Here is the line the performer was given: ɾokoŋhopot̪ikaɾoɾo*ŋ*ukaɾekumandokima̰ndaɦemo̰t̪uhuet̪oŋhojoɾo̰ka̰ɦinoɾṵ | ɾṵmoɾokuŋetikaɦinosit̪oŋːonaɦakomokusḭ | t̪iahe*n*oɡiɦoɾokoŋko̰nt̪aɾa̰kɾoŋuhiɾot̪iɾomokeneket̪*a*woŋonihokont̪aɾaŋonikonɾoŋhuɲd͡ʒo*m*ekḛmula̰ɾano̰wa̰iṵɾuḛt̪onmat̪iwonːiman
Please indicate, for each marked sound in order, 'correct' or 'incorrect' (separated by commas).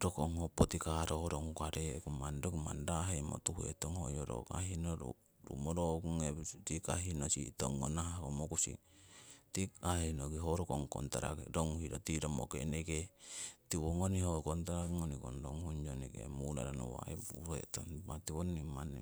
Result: correct, correct, incorrect, incorrect